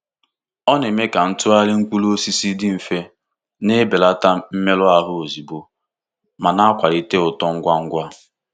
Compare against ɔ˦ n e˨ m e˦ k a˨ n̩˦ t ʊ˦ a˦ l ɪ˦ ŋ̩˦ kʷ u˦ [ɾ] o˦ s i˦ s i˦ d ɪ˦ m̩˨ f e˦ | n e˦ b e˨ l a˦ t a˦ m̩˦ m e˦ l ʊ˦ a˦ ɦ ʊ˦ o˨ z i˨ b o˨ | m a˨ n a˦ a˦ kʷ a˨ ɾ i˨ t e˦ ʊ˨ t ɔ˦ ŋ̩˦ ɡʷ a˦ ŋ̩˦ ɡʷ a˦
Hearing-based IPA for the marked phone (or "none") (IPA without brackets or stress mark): l